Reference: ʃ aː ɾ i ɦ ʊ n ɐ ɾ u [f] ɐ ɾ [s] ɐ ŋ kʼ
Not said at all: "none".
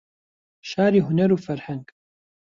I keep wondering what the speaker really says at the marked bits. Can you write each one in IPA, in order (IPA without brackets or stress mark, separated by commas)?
f, ħ